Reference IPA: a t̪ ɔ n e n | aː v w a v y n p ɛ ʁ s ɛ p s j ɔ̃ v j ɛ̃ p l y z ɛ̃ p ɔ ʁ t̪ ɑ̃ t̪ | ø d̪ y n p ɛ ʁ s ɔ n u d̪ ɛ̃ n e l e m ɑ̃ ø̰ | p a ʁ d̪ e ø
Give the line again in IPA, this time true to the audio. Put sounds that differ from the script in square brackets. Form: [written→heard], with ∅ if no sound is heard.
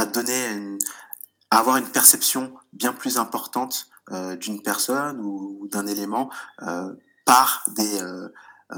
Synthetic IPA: a [t̪→d̪] ɔ n e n | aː v w a [v→ʁ] y n p ɛ ʁ s ɛ p s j ɔ̃ [v→b] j ɛ̃ p l y z ɛ̃ p ɔ ʁ t̪ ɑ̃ t̪ | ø d̪ y n p ɛ ʁ s ɔ n u d̪ ɛ̃ n e l e m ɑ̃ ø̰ | p a ʁ d̪ e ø